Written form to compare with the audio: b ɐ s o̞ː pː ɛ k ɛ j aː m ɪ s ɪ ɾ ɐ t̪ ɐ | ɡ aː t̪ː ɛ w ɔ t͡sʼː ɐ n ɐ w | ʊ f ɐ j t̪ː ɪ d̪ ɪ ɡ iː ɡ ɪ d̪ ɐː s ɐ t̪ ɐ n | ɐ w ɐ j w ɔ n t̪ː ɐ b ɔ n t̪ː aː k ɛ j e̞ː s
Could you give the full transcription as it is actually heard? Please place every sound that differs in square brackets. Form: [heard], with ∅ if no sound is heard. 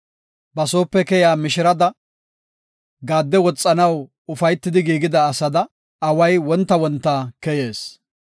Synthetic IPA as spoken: b ɐ s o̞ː pː ɛ k ɛ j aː m ɪ [ʃ] ɪ ɾ ɐ [d̪] ɐ | ɡ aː [d̪ː] ɛ w ɔ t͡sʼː ɐ n ɐ w | ʊ f ɐ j t̪ː ɪ d̪ ɪ ɡ iː ɡ ɪ d̪ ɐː s ɐ [d̪] ɐ [∅] | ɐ w ɐ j w ɔ n t̪ː ɐ [w] ɔ n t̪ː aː k ɛ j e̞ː s